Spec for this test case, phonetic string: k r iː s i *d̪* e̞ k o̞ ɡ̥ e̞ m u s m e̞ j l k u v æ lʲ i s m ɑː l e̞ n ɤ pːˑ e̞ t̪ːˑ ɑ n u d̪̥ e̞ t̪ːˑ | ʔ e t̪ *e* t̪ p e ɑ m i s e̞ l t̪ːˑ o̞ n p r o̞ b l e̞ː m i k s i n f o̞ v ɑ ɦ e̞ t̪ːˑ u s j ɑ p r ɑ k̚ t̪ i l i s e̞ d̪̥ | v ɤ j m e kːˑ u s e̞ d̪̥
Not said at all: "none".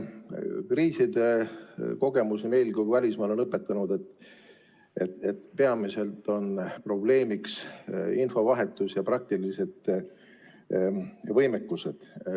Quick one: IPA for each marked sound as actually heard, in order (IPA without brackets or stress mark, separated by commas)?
d̪, e